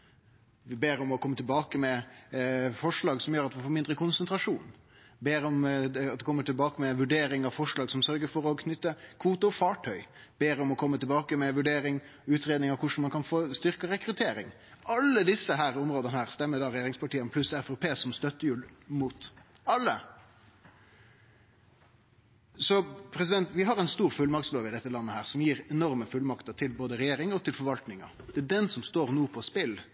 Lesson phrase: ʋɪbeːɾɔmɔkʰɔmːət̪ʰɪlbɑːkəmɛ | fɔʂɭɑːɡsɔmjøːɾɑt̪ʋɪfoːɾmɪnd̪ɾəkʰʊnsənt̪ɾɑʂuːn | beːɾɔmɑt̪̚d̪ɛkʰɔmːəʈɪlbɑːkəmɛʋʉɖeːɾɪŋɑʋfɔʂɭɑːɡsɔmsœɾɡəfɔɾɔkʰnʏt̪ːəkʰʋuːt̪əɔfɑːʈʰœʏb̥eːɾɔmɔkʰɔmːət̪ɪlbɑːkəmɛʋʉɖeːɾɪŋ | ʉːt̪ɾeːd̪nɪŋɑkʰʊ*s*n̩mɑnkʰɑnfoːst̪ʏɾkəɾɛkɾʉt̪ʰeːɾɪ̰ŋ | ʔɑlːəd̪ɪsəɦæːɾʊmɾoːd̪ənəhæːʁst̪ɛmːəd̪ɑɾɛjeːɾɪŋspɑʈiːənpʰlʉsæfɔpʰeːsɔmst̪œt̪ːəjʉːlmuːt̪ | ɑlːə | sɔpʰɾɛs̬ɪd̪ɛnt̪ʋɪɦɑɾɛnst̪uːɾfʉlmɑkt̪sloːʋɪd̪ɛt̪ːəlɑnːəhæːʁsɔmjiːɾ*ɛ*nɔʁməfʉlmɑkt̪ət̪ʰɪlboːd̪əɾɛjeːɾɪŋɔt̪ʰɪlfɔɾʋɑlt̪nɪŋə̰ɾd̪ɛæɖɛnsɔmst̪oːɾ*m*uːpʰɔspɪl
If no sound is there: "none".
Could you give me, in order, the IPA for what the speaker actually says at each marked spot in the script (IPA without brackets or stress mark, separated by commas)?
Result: ʂ, ɛ, n